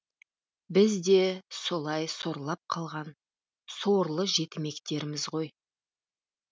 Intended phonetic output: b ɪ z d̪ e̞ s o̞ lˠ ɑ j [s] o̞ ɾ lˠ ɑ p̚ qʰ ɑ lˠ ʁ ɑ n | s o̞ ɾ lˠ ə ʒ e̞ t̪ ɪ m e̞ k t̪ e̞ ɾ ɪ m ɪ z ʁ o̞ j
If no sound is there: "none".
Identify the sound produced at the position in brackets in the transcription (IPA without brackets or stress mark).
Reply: s